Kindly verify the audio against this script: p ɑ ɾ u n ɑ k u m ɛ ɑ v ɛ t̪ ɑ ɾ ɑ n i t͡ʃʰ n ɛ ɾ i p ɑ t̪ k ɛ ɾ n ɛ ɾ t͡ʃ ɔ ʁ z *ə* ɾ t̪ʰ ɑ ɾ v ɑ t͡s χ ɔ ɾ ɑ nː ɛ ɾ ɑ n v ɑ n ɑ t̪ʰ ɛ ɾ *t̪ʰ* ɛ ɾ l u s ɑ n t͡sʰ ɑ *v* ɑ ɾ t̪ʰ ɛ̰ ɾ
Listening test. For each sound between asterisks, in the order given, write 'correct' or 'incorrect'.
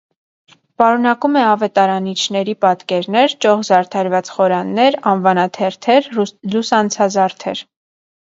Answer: incorrect, correct, incorrect

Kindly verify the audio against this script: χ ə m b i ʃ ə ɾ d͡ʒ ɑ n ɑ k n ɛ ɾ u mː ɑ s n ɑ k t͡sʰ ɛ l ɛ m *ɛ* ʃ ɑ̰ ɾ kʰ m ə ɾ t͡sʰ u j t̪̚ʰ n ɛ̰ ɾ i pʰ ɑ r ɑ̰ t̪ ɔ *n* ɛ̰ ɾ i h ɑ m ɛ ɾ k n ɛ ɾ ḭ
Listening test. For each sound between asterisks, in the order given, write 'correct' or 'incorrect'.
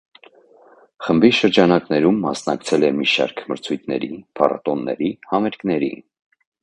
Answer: incorrect, incorrect

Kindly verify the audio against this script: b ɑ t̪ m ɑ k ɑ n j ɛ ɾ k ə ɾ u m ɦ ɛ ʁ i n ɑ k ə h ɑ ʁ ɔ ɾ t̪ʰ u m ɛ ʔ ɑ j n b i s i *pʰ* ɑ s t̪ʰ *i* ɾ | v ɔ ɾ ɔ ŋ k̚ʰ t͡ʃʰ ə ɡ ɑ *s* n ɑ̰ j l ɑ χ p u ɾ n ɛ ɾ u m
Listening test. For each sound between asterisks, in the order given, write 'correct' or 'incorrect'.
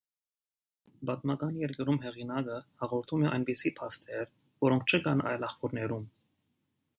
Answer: correct, incorrect, incorrect

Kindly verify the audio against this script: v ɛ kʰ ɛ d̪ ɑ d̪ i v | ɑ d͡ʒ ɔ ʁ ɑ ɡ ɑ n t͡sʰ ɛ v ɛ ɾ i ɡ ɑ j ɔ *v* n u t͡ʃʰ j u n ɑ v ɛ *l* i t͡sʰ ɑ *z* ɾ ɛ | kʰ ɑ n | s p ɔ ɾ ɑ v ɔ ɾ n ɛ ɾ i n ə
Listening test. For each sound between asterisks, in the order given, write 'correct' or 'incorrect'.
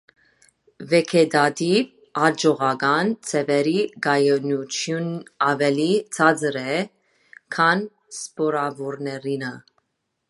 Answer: incorrect, correct, incorrect

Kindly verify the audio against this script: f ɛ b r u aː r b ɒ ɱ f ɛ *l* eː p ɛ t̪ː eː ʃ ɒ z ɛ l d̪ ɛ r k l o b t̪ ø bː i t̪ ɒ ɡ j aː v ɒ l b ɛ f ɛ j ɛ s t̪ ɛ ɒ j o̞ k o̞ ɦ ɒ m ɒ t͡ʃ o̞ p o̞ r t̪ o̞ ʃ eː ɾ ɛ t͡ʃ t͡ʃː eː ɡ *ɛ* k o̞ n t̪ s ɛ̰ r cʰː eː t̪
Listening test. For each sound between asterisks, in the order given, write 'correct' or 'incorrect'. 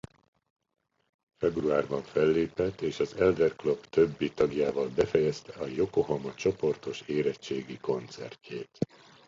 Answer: incorrect, incorrect

